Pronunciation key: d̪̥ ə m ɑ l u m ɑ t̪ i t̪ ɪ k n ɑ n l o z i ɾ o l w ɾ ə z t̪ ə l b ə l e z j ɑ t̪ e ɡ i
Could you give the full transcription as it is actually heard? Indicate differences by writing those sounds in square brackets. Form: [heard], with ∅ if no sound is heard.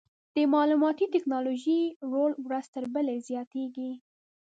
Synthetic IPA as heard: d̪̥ ə m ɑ l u m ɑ t̪ i t̪ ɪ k n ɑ [∅] l o [ʒ] i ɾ o l w ɾ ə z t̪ ə [ɾ] b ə l e z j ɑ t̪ e ɡ i